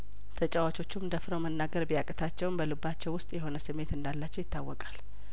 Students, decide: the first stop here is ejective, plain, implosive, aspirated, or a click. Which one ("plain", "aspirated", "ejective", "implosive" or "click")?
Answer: aspirated